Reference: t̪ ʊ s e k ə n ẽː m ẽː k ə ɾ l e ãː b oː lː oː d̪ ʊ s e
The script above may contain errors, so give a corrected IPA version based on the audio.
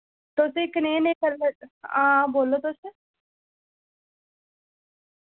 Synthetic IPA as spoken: t̪ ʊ s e k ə n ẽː n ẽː k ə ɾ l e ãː b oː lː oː t̪ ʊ s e